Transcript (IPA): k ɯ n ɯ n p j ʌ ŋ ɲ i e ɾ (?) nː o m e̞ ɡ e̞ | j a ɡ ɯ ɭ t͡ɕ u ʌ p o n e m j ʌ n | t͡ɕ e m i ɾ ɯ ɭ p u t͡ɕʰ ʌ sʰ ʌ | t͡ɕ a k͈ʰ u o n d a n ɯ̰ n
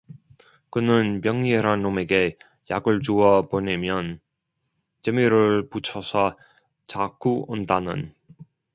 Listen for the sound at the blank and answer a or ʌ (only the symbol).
a